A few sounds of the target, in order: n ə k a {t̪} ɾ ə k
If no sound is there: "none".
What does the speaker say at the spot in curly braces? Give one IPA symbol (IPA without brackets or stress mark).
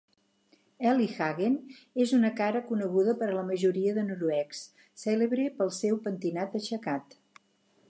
none